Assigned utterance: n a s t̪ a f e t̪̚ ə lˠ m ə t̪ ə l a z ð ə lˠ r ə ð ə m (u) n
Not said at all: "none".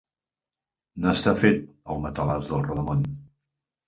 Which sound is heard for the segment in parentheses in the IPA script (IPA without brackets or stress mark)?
o